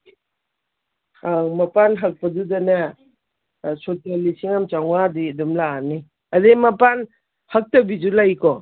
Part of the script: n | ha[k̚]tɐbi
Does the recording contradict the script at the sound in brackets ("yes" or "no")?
no